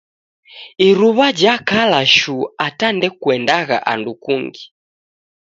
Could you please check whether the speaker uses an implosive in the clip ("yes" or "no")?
no